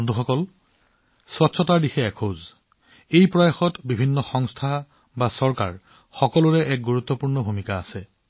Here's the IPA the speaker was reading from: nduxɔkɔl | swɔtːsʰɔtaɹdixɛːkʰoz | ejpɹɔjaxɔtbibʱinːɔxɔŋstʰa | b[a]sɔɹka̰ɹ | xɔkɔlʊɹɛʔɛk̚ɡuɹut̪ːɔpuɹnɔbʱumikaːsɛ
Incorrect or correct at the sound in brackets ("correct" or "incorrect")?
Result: correct